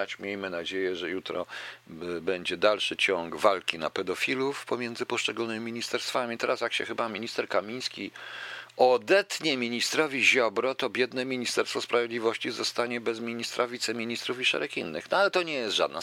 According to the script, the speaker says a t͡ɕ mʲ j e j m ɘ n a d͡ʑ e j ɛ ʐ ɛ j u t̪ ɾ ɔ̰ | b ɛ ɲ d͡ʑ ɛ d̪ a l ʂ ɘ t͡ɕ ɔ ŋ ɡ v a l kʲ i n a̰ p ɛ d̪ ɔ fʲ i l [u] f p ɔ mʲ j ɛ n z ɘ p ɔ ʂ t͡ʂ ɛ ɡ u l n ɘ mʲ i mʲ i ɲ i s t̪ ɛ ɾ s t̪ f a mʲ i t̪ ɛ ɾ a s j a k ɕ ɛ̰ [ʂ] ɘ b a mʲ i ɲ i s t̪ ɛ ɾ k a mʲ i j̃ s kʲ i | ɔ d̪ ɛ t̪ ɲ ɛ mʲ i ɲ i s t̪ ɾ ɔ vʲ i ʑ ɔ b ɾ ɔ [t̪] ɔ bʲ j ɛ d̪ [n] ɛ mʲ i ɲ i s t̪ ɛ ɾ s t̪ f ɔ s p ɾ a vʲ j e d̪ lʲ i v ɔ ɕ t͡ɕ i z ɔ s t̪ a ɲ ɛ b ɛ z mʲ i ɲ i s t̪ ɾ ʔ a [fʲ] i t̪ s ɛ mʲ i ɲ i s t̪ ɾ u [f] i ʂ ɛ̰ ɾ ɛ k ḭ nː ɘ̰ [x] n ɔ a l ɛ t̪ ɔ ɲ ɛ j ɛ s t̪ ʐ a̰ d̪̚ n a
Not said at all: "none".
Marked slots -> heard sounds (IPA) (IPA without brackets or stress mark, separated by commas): u, x, t̪, n, vʲ, f, x